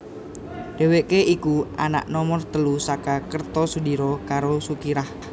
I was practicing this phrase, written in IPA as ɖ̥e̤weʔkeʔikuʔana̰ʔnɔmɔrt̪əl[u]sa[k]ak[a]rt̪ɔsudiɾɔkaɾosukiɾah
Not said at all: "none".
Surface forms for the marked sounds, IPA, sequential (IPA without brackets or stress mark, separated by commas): u, k, ə